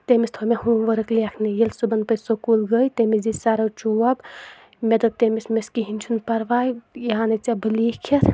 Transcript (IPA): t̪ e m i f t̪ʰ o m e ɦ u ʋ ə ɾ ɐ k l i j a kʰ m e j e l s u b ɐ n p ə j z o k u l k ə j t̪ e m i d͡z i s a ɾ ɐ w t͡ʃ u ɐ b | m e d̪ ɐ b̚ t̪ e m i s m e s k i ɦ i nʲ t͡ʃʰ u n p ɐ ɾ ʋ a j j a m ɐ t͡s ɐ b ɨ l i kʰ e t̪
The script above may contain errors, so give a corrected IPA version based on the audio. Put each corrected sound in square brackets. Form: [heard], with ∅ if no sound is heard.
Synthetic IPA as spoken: t̪ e m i [s] t̪ʰ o m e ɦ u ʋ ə ɾ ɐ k l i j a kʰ [n] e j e l s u b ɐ n p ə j [s] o k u l [ɡ] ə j t̪ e m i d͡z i s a ɾ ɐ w t͡ʃ u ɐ b | m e d̪ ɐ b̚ t̪ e m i s m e s k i ɦ i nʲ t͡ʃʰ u n p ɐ ɾ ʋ a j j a [n] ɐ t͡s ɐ b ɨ l i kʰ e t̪